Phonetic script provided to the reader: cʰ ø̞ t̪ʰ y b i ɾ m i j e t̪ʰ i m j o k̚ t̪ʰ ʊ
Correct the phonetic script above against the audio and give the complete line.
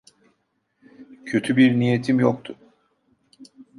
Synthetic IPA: cʰ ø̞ t̪ʰ y b i ɾ n i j e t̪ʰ i m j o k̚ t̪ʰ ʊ